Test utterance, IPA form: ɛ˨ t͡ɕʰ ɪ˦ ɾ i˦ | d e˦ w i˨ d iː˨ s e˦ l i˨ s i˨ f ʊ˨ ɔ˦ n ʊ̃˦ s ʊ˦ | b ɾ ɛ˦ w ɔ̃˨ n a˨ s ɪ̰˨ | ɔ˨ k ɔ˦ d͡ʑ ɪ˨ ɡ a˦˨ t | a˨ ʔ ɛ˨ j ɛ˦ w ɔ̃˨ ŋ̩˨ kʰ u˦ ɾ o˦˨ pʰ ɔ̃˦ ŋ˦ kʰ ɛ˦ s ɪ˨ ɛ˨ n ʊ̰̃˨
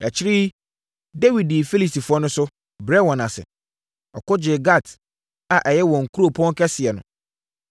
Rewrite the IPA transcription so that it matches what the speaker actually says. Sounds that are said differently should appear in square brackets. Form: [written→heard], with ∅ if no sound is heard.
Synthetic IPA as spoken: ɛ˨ t͡ɕʰ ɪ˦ ɾ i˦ | d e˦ w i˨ d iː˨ [s→f] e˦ l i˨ s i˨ f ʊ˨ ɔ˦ n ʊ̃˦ s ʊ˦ | b ɾ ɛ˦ w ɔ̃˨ n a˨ s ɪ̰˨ | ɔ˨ k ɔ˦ d͡ʑ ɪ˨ ɡ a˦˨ t | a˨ ʔ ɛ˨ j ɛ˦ w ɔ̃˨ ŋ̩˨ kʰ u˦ ɾ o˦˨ pʰ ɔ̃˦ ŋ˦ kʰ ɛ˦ s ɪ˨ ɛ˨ n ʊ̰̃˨